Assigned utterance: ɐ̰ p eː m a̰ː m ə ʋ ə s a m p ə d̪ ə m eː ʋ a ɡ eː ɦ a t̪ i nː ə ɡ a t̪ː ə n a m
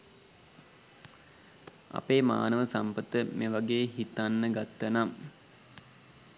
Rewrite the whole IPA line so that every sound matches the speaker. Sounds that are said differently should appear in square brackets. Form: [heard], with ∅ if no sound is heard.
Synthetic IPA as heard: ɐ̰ p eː m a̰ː [n] ə ʋ ə s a m p ə [t̪] ə m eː ʋ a ɡ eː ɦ [i] t̪ [a] nː ə ɡ a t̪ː ə n a m